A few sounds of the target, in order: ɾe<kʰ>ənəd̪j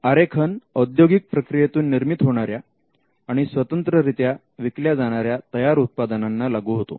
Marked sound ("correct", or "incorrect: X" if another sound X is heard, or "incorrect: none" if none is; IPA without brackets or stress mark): correct